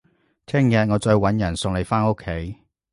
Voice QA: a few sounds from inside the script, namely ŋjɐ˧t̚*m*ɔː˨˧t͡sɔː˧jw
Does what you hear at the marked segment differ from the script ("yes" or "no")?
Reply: yes